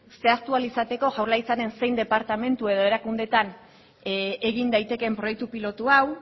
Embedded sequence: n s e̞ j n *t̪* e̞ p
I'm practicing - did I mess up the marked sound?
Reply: yes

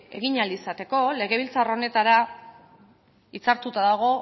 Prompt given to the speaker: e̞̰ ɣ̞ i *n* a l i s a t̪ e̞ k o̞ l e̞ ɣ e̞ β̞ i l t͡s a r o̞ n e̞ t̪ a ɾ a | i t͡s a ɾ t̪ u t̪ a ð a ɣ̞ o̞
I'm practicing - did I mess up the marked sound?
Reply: yes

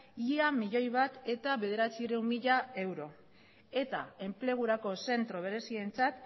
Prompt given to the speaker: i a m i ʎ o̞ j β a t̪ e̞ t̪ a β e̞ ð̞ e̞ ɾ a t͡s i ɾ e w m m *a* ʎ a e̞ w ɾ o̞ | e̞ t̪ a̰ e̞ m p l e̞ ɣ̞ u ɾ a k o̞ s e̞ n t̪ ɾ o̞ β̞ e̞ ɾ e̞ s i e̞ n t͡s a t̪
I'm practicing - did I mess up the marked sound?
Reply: yes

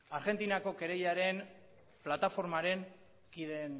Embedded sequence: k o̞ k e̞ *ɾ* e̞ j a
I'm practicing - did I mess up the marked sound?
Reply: no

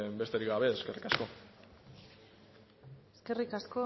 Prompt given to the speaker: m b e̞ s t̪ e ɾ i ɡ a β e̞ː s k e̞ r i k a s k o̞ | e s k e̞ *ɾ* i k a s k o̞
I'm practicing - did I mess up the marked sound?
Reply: yes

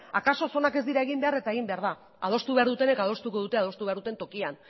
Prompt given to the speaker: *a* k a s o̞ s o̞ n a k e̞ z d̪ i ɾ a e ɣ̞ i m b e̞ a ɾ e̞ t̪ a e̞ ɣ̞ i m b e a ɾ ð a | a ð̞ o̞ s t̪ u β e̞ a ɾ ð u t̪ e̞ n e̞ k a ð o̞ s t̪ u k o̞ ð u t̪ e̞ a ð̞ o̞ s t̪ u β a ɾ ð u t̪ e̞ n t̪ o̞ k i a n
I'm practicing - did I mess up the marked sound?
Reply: no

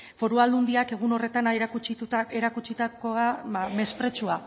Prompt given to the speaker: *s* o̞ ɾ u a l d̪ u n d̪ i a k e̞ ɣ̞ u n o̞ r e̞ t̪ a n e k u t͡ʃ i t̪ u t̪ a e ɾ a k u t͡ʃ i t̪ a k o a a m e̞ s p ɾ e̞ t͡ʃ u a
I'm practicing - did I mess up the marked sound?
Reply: yes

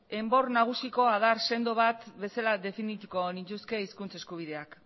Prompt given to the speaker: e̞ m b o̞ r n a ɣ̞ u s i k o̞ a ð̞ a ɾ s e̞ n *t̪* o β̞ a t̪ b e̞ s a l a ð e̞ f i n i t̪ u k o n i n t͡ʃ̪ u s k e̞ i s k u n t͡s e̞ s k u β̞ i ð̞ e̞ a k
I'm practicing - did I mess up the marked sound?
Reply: yes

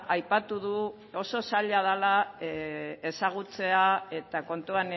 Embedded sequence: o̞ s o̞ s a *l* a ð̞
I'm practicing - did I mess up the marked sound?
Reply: yes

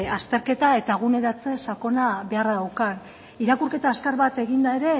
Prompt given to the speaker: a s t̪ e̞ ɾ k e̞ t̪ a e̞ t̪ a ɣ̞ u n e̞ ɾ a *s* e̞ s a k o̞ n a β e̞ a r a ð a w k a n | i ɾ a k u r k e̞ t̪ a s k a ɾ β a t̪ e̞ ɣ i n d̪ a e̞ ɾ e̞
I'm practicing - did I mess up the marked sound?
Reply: yes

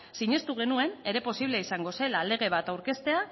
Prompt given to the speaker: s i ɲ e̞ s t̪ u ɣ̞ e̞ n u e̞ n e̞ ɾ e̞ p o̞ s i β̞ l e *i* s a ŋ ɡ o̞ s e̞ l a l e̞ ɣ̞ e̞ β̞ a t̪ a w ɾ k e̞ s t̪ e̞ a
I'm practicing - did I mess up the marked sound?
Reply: no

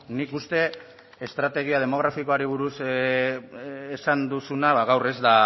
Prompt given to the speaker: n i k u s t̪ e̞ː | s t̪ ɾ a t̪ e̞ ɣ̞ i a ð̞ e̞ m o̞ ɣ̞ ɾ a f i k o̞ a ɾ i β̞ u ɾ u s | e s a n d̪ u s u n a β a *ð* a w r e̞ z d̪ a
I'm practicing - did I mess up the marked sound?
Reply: yes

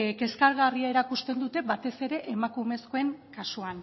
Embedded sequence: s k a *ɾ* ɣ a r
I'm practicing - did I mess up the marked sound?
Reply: no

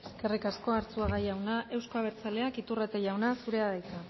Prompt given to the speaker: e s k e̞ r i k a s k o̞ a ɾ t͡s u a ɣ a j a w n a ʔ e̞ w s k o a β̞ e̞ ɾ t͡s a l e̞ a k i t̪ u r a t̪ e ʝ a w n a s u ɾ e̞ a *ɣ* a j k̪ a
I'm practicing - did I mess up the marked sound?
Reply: yes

